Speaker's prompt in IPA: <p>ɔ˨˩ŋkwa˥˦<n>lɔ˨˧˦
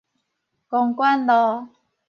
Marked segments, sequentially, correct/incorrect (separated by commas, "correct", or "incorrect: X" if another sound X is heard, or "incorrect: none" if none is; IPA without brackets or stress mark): incorrect: k, correct